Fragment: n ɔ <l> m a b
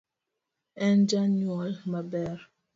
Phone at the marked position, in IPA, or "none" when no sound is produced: l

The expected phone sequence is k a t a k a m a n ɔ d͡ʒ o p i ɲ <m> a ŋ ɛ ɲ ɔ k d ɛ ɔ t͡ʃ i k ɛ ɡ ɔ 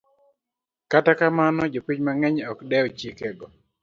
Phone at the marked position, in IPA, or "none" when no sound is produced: m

